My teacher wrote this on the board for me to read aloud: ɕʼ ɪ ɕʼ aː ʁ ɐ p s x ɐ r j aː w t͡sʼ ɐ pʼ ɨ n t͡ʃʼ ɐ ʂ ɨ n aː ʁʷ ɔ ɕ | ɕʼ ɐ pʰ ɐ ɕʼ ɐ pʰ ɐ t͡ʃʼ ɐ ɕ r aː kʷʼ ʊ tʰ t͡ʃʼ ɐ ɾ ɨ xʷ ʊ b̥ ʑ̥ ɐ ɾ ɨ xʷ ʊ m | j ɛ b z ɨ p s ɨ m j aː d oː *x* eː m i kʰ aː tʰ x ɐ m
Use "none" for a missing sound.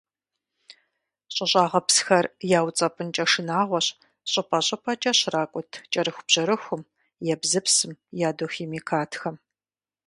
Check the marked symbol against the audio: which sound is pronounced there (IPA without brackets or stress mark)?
x